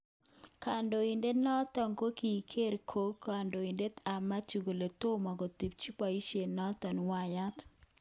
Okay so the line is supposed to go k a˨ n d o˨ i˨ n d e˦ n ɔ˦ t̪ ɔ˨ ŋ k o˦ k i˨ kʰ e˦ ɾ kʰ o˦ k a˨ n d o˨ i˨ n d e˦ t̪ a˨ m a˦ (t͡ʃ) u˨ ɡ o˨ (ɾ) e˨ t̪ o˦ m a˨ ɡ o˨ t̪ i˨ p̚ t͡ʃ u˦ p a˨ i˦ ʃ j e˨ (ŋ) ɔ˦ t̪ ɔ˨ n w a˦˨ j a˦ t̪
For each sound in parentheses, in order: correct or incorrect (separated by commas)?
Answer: correct, incorrect, incorrect